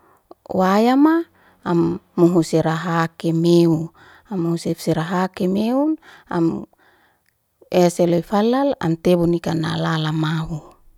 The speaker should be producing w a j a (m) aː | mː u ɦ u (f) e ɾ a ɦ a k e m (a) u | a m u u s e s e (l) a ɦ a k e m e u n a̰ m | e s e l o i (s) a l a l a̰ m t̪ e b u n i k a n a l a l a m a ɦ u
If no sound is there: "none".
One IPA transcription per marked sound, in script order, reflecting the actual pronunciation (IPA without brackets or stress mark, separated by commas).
m, s, e, ɾ, f